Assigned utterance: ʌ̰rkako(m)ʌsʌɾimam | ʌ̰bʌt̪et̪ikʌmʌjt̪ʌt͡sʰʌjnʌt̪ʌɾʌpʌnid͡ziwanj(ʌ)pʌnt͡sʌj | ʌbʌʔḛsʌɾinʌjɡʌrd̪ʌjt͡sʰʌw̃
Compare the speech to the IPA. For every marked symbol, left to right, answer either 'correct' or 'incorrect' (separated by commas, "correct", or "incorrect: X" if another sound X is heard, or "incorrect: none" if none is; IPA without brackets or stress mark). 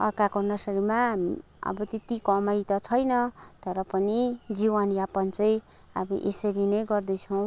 incorrect: n, incorrect: a